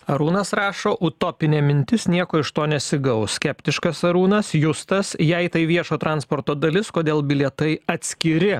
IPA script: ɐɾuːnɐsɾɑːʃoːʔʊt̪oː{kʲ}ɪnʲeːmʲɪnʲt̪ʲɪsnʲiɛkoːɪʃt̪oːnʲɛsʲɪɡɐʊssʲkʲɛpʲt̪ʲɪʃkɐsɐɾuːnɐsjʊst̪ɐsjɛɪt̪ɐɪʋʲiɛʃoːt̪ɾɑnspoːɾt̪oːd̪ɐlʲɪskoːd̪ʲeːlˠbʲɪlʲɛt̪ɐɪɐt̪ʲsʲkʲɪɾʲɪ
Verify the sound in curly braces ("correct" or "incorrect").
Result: incorrect